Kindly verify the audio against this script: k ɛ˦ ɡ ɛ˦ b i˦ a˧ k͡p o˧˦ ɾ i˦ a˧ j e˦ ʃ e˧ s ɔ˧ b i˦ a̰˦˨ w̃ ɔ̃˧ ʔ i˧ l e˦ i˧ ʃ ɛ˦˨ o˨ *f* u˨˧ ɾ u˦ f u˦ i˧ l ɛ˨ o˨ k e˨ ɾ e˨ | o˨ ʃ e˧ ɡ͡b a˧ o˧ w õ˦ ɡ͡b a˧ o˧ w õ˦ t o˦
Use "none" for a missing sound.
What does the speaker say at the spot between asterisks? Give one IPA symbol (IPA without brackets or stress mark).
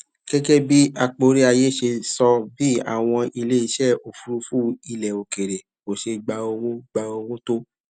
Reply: f